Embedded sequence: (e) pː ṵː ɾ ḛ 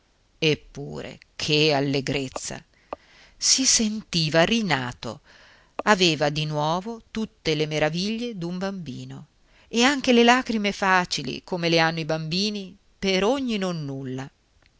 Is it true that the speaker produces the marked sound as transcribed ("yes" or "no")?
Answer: yes